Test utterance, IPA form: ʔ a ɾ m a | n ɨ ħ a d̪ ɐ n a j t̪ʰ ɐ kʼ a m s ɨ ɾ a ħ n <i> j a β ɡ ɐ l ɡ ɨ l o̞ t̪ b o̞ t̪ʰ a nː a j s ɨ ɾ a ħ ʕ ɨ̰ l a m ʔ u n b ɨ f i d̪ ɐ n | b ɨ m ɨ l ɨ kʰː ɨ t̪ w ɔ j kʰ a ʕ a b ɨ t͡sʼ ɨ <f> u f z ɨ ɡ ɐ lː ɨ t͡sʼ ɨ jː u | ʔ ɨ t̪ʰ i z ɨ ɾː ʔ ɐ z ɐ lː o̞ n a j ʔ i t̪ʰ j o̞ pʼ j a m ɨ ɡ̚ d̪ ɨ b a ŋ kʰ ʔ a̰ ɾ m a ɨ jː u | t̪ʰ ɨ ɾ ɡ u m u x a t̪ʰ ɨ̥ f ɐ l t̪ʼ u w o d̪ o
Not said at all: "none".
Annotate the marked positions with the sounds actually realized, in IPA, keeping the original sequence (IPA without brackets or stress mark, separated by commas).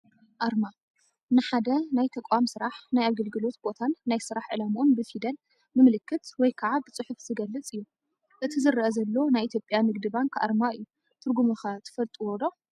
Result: a, ħ